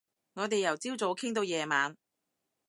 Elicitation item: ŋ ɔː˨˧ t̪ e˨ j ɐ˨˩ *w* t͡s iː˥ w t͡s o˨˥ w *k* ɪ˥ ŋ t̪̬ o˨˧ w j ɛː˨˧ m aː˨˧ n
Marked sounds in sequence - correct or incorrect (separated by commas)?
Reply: correct, incorrect